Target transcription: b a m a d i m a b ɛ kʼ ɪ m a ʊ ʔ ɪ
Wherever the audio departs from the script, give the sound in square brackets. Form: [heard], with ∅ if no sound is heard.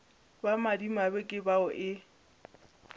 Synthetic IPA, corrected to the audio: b a m a d i m a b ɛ kʼ ɪ [b] a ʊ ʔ ɪ